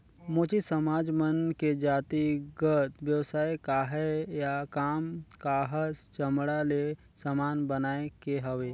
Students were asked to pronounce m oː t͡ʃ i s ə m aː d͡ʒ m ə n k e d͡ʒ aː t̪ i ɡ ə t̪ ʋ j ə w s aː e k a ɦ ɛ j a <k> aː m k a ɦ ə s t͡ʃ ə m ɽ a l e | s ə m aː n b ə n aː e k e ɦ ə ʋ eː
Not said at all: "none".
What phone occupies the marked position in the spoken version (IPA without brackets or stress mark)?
k